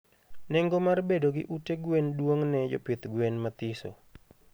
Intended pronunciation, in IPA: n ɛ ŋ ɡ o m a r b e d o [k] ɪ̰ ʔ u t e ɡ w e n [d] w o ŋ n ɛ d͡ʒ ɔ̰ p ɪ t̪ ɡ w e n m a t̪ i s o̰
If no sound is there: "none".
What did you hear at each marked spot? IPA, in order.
ɡ, d

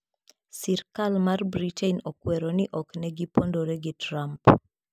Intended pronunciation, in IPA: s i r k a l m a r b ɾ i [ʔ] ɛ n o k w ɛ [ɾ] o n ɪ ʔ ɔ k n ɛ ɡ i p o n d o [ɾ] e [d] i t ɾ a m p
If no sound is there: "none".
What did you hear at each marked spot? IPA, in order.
t, ɾ, ɾ, ɡ

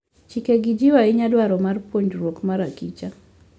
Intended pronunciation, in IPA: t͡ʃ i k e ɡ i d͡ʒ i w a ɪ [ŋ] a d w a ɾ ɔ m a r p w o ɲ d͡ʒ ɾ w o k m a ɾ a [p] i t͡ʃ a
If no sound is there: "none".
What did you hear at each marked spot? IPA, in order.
ɲ, k

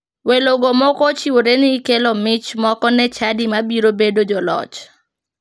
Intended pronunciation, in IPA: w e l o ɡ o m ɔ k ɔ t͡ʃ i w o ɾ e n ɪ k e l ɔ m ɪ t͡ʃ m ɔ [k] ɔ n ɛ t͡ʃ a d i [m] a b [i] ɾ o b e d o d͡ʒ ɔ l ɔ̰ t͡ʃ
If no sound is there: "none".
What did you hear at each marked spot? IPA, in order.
k, m, i

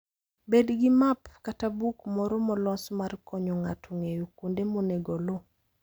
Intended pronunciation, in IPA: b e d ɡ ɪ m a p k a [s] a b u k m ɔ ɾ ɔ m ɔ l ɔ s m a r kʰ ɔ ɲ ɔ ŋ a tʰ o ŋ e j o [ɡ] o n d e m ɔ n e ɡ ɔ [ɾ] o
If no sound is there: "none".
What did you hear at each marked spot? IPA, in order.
t, k, l

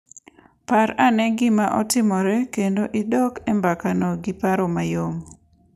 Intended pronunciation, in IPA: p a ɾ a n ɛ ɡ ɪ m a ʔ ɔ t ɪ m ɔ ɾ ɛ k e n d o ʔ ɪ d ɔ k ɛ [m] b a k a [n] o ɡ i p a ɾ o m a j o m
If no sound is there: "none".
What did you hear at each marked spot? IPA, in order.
m, n

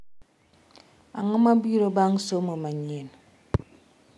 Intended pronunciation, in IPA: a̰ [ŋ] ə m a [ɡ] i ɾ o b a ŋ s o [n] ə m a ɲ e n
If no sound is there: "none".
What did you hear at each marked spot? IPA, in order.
ŋ, b, m

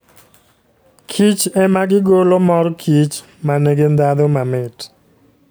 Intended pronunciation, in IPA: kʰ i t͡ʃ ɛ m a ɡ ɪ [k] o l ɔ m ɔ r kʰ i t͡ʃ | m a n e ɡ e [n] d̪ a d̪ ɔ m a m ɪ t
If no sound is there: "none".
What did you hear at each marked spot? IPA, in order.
ɡ, n

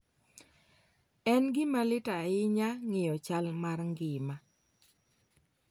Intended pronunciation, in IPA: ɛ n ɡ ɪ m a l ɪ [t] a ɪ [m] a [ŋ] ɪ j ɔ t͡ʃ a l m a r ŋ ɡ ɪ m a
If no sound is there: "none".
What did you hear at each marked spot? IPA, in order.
t, ɲ, ŋ

